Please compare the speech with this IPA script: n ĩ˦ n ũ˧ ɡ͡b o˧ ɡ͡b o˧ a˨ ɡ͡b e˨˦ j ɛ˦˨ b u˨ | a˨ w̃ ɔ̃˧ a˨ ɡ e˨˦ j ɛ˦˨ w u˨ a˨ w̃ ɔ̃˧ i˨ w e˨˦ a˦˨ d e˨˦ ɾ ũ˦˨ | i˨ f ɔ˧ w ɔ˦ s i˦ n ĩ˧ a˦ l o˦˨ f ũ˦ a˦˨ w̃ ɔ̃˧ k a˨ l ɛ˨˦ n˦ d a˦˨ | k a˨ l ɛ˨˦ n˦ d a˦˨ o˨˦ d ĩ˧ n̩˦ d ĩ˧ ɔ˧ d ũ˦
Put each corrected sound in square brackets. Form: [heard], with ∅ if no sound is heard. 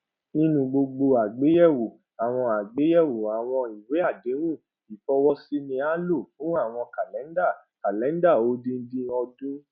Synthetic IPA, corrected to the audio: n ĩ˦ n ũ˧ ɡ͡b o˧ ɡ͡b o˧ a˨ ɡ͡b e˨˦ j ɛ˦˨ [w] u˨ | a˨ w̃ ɔ̃˧ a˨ [ɡ͡b] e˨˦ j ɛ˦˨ w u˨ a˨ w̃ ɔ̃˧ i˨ w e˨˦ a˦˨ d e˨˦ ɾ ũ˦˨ | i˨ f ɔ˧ w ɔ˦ s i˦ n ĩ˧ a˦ l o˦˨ f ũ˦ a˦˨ w̃ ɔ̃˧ k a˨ l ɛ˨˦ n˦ d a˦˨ | k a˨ l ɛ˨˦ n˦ d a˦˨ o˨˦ d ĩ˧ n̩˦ d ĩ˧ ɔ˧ d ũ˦